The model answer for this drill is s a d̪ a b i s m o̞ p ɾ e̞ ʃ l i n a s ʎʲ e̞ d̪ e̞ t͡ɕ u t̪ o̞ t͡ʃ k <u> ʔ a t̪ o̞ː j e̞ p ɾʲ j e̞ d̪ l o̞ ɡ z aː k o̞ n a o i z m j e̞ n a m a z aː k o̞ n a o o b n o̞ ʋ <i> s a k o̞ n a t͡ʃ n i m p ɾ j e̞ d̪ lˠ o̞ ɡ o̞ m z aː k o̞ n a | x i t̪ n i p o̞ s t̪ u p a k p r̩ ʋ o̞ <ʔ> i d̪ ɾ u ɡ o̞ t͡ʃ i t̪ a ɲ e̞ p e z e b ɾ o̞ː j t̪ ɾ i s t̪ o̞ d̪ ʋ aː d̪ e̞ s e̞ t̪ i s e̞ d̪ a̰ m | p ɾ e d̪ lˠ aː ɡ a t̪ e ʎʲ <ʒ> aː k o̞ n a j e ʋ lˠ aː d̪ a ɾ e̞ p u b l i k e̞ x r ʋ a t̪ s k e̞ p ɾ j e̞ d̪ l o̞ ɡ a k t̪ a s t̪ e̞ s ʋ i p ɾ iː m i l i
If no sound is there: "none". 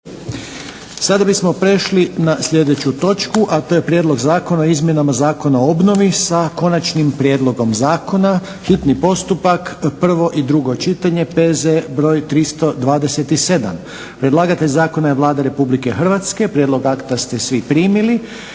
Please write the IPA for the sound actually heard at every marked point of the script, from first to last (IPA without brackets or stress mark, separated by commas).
u, i, ʔ, z